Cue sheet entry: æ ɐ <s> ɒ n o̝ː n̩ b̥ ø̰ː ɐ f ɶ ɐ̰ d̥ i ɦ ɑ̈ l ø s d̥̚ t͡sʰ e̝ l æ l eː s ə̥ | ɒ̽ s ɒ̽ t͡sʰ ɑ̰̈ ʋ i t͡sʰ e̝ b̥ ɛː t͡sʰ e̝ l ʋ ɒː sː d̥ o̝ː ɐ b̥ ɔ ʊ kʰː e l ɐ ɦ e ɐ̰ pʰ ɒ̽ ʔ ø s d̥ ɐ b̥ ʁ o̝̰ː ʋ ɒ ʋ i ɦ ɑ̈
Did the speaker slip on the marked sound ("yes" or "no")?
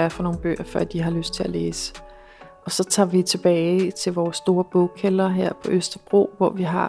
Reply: yes